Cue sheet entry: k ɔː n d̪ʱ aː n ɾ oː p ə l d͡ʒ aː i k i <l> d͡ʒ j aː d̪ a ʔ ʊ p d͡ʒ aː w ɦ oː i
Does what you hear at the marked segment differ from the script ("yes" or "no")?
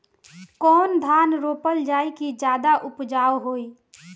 yes